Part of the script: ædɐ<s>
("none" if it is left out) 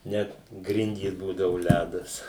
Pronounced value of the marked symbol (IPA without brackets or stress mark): s